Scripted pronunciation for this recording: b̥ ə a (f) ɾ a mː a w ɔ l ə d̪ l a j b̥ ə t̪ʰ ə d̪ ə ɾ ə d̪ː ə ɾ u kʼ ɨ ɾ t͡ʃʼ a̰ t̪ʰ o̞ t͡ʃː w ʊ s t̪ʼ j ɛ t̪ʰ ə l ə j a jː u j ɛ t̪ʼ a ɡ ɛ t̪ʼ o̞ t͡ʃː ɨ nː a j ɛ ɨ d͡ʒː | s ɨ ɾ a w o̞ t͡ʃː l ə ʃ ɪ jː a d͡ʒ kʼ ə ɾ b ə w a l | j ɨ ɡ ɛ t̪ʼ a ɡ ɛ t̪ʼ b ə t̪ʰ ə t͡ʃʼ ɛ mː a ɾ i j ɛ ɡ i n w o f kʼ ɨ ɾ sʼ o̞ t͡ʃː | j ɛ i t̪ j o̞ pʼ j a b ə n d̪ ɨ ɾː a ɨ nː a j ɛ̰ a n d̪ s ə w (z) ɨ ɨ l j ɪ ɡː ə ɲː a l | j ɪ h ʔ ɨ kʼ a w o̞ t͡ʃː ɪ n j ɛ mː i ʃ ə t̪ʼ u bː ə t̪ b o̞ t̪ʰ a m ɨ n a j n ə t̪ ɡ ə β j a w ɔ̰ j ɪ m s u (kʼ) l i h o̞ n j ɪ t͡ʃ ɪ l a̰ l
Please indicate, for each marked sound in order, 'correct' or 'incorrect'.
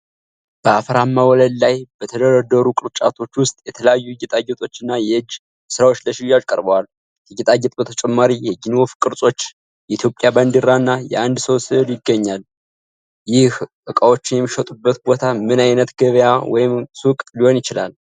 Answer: correct, incorrect, correct

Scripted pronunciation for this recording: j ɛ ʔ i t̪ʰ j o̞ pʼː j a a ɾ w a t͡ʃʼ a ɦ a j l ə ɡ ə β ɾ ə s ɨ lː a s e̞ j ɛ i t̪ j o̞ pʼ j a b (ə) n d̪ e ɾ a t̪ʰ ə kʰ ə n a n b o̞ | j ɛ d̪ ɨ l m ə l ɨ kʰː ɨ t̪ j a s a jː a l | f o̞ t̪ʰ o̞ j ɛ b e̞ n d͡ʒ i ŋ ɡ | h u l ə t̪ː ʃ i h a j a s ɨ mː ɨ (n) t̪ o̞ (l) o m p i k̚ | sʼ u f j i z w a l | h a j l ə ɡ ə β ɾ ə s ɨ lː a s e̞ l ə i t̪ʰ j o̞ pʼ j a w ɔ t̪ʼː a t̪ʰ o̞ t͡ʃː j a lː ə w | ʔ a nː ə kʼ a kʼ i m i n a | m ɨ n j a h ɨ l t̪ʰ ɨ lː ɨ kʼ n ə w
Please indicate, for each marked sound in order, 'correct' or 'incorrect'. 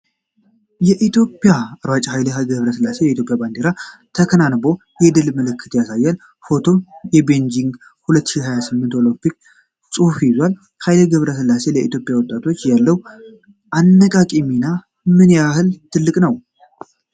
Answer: incorrect, correct, correct

